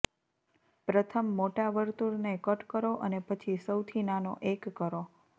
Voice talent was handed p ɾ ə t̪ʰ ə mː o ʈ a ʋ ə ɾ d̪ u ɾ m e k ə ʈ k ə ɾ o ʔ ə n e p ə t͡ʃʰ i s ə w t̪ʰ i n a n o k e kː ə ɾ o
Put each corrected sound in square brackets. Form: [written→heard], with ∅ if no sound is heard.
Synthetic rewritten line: p ɾ ə t̪ʰ ə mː o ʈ a ʋ ə ɾ [d̪→t̪] u ɾ [m→n] e k ə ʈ k ə ɾ o ʔ ə n e p ə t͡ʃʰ i s ə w t̪ʰ i n a n o [k→ʔ] e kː ə ɾ o

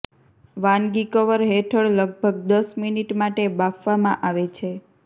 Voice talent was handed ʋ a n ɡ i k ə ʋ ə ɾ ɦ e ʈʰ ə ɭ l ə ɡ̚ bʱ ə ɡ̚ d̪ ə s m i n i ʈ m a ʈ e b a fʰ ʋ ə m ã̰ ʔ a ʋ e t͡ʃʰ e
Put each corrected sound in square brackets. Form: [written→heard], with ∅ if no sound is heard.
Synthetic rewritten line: ʋ a n ɡ i k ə ʋ ə ɾ ɦ e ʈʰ ə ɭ l ə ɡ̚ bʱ ə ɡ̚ d̪ ə s m i n i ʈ m a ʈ e b a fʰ ʋ [ə→a] m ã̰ ʔ a ʋ e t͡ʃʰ e

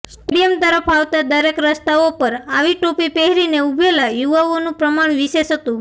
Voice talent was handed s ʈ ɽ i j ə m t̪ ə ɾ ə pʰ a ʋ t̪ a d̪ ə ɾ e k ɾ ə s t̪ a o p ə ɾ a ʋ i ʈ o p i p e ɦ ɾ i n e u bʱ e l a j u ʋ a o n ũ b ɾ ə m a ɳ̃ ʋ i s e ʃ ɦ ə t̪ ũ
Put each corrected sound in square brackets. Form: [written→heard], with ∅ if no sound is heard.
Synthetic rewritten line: s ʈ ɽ i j ə m t̪ ə ɾ ə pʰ a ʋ t̪ a d̪ ə ɾ e k ɾ ə s t̪ a o p ə ɾ a ʋ i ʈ o p i p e ɦ ɾ i n e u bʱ e l a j u ʋ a o n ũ [b→p] ɾ ə m a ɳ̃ ʋ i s e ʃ ɦ ə t̪ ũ

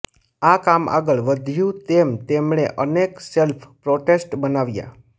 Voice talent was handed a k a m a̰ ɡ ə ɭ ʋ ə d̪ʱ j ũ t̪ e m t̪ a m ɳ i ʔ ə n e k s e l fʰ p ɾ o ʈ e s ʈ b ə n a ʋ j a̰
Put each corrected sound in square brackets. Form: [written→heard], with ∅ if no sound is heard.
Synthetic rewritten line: a k a m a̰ ɡ ə ɭ ʋ ə d̪ʱ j ũ t̪ e m t̪ [a→e] m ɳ [i→e] ʔ ə n e k s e l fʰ p ɾ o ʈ e s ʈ b ə n a ʋ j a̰

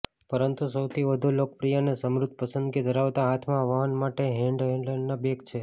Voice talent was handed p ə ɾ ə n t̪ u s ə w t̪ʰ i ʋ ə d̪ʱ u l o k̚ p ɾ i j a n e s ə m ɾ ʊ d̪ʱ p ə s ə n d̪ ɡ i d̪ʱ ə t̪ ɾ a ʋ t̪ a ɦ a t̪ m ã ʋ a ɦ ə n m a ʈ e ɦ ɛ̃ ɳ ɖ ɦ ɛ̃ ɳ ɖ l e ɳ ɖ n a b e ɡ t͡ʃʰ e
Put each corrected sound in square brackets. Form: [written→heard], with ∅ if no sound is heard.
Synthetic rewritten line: p ə ɾ ə n t̪ u s ə w t̪ʰ i ʋ ə d̪ʱ u l o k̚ p ɾ i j a n e s ə m ɾ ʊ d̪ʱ p ə s ə n d̪ ɡ i d̪ʱ ə [t̪→∅] ɾ a ʋ t̪ a ɦ a [t̪→t̪ʰ] m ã ʋ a ɦ ə n m a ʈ e ɦ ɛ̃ ɳ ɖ ɦ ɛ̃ ɳ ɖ l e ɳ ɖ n a b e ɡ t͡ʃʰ e

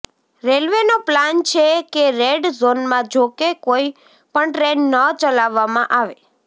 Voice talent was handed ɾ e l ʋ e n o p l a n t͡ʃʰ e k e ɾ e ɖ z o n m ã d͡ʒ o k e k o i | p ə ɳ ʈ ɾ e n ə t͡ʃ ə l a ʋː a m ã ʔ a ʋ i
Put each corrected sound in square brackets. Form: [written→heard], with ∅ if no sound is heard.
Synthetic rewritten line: ɾ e l ʋ e n o p l a n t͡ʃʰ e k e ɾ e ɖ z o n m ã d͡ʒ o k e k o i | p ə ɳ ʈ ɾ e [n→nː] ə t͡ʃ ə l a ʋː a m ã ʔ a ʋ [i→e]

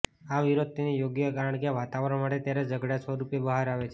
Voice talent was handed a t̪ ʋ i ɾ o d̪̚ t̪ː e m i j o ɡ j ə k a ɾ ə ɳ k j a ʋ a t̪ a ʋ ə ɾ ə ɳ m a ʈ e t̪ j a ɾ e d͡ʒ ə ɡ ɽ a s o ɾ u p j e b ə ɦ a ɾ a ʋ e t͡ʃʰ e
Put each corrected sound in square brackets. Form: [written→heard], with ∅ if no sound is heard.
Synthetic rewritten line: a [t̪→∅] ʋ i ɾ o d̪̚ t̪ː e [m→n] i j o ɡ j ə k a ɾ ə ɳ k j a ʋ a t̪ a ʋ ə ɾ ə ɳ m a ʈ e t̪ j a ɾ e d͡ʒ ə ɡ ɽ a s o ɾ u p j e b ə ɦ a ɾ a ʋ e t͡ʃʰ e

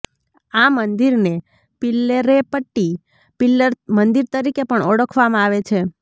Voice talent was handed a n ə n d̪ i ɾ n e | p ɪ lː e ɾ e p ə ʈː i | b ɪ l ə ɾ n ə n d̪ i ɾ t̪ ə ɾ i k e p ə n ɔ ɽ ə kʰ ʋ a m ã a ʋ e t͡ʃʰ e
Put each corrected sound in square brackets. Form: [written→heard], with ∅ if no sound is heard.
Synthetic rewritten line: a [n→m] ə n d̪ i ɾ n e | p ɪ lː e ɾ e p ə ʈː i | [b→p] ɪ l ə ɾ [n→m] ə n d̪ i ɾ t̪ ə ɾ i k e p ə [n→ɳ] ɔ ɽ ə kʰ ʋ a m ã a ʋ e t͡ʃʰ e

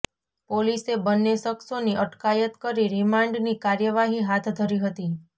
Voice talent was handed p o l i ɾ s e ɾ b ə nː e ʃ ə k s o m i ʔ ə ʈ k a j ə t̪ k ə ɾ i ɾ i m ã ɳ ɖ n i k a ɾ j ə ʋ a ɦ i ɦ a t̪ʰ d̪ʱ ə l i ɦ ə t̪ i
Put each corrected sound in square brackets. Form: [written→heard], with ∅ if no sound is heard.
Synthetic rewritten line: p o l i [ɾ→∅] s e [ɾ→∅] b ə nː e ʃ ə k s o [m→n] i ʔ ə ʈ k a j ə t̪ k ə ɾ i ɾ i m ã ɳ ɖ n i k a ɾ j ə ʋ a ɦ i ɦ a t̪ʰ d̪ʱ ə [l→ɾ] i ɦ ə t̪ i

